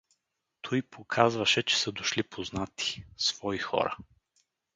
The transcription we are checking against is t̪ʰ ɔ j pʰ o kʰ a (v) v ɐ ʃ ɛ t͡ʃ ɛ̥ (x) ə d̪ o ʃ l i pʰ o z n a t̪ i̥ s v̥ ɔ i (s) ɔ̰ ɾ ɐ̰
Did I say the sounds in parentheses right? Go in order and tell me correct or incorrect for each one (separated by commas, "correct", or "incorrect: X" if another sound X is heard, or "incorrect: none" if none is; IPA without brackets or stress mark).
incorrect: z, incorrect: s, incorrect: x